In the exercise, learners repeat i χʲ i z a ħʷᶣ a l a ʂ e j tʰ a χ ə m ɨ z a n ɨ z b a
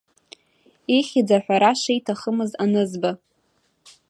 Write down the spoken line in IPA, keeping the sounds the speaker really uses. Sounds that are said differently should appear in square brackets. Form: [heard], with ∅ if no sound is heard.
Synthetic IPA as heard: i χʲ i [d͡z] a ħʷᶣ a [ɾ] a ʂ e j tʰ a χ ə m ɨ z a n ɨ z b a